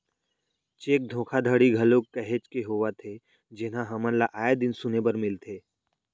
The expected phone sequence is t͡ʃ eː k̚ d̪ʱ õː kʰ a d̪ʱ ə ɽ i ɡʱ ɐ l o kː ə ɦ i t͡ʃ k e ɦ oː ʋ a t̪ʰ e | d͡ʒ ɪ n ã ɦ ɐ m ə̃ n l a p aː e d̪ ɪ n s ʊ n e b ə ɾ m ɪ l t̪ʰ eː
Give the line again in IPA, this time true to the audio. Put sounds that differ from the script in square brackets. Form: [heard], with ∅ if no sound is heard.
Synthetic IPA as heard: t͡ʃ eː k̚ d̪ʱ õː kʰ a d̪ʱ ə ɽ i ɡʱ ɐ l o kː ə ɦ [e] t͡ʃ k e ɦ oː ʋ a t̪ʰ e | d͡ʒ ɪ n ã ɦ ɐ m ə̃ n l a [ʔ] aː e d̪ ɪ n s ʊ n e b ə ɾ m ɪ l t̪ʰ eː